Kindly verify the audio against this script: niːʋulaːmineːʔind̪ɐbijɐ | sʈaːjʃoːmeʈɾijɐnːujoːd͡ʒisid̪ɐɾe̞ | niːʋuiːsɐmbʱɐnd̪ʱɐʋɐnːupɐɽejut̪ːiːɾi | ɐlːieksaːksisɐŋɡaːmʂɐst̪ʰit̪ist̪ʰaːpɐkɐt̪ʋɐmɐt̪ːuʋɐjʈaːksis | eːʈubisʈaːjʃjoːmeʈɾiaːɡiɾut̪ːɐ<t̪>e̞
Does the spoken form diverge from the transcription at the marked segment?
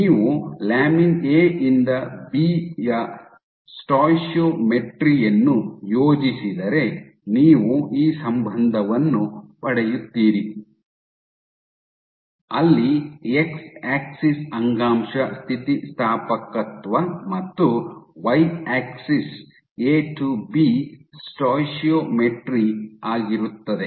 yes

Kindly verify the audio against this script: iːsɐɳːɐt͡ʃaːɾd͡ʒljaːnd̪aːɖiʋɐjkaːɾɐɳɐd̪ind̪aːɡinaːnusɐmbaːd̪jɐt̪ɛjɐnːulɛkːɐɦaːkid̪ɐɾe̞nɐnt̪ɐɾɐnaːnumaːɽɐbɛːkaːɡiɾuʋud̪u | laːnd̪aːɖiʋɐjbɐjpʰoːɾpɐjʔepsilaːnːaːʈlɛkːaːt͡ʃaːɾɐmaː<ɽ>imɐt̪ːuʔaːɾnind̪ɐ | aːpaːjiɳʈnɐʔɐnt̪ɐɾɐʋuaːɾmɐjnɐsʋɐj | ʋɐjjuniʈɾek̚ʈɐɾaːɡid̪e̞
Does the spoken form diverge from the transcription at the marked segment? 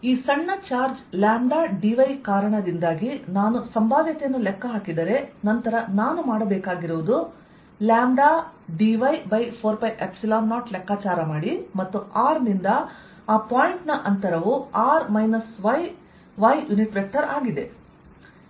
no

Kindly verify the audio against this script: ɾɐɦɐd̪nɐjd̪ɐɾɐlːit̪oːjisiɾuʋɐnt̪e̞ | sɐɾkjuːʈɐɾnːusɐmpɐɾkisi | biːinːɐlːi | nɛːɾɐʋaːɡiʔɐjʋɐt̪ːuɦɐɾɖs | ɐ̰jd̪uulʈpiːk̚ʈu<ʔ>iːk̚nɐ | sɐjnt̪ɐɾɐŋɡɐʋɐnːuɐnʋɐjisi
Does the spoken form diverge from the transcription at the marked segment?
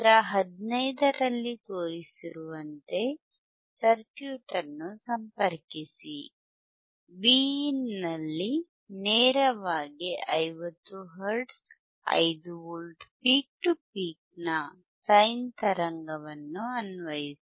yes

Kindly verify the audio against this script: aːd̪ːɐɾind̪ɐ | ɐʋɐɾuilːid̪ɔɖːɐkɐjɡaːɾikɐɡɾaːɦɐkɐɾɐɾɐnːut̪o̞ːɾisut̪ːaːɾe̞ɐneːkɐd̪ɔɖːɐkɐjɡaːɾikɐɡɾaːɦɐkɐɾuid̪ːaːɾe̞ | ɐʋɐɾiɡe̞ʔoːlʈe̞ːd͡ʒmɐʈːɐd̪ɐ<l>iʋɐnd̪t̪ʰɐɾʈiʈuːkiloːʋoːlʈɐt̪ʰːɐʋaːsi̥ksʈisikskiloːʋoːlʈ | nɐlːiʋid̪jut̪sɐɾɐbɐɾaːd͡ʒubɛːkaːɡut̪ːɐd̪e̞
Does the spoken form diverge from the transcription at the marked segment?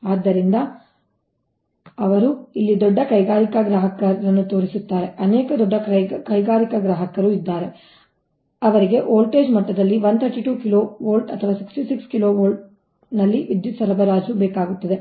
yes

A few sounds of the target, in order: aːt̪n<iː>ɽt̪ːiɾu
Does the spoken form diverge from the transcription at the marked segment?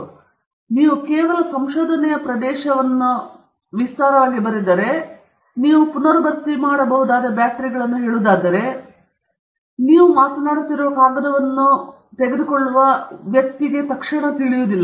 yes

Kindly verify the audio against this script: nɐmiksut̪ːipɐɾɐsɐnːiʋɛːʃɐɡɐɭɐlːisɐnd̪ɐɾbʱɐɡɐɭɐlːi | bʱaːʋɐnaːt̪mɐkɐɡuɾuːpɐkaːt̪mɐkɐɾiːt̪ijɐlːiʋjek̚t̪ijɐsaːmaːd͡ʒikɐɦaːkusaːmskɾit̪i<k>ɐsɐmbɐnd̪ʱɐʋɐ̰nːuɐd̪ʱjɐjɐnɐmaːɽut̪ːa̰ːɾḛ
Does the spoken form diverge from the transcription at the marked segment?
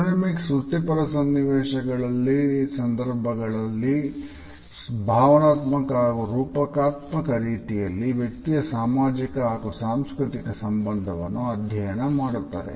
no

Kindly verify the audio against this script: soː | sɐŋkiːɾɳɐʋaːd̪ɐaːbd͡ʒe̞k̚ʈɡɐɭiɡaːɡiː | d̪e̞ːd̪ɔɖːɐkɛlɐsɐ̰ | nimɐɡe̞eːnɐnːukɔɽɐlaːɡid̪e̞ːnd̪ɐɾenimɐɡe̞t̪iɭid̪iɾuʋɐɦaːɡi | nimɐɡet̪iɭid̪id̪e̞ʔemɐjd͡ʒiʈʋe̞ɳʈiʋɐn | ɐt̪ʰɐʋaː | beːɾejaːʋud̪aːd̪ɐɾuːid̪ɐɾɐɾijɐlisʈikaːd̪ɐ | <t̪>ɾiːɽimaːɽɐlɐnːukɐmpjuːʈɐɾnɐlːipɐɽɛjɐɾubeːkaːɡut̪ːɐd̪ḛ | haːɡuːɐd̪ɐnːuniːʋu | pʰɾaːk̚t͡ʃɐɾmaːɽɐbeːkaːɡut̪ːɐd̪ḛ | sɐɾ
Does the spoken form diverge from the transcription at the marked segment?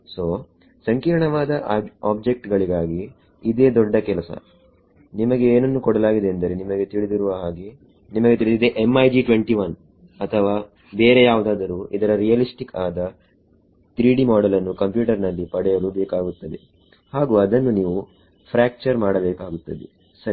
no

